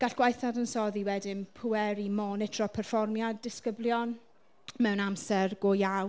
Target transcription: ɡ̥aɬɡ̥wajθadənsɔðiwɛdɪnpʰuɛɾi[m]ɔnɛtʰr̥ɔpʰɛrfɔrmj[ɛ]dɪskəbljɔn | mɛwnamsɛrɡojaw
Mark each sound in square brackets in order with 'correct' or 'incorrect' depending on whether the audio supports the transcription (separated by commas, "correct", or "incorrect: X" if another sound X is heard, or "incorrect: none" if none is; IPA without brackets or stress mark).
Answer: correct, incorrect: a